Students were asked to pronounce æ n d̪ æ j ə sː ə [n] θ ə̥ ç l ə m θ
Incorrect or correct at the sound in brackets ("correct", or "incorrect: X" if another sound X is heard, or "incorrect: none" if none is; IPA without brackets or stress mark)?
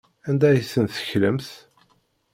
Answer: correct